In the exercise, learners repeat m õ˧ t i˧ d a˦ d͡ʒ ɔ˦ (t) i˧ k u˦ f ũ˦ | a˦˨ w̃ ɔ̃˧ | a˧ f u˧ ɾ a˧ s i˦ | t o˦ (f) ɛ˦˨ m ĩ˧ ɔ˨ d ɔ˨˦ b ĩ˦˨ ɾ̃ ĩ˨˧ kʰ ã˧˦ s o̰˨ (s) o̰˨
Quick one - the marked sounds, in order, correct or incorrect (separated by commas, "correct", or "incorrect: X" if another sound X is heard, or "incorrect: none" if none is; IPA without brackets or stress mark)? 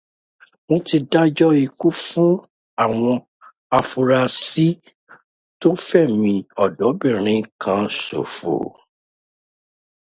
incorrect: none, correct, incorrect: f